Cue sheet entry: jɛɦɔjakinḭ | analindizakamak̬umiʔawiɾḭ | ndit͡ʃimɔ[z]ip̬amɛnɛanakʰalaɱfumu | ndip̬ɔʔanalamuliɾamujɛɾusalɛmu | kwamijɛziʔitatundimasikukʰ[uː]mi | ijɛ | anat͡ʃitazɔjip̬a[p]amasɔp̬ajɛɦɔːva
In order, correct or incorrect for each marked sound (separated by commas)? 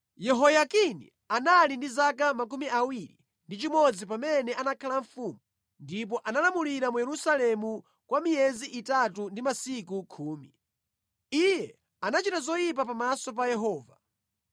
incorrect, correct, correct